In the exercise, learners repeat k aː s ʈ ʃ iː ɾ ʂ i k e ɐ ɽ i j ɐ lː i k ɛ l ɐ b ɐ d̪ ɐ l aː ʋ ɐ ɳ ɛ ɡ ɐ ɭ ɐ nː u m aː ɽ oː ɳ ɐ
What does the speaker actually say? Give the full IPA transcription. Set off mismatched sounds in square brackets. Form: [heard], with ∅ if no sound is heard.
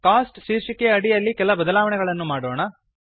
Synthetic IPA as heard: k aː s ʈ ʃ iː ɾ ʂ i k e ɐ ɽ i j ɐ lː i k ɛ l ɐ b ɐ d̪ ɐ l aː ʋ ɐ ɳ ɛ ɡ ɐ ɭ ɐ nː u m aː ɽ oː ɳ ɐ